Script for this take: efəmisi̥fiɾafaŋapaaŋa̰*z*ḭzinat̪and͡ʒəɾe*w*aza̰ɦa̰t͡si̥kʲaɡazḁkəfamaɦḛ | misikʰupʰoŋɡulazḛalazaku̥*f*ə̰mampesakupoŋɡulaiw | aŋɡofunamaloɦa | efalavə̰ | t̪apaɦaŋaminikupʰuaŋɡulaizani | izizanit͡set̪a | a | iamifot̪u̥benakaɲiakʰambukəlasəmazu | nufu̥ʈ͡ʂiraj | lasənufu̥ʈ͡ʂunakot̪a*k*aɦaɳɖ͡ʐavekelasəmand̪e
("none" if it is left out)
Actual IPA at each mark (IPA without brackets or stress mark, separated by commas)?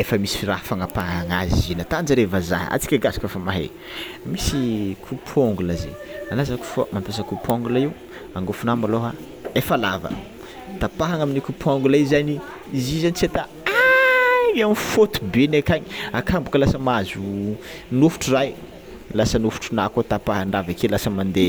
z, v, f, p